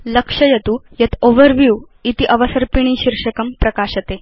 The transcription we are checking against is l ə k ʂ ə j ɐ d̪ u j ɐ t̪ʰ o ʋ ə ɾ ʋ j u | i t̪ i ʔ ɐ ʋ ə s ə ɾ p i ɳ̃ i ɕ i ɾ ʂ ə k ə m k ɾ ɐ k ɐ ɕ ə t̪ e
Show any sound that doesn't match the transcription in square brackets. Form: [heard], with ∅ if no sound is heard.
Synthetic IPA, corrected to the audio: l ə k ʂ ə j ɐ [t̪] u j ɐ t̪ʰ o ʋ ə ɾ ʋ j u | i t̪ i ʔ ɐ ʋ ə s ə ɾ p i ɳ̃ i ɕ i ɾ ʂ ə k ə m [p] ɾ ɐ k [a] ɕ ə t̪ e